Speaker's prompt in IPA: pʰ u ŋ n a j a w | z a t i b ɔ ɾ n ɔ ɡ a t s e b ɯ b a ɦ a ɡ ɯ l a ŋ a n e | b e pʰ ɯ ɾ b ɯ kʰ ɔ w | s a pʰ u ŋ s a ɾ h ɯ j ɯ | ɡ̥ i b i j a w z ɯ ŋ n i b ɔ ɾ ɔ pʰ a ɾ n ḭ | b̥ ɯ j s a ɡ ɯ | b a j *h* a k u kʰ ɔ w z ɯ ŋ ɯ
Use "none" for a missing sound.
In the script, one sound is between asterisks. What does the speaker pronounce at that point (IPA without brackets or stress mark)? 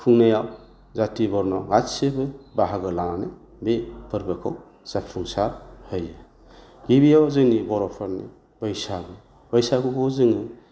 s